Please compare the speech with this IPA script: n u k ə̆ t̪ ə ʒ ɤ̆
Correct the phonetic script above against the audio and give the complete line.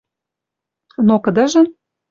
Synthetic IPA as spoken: n o k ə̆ d̪ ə ʒ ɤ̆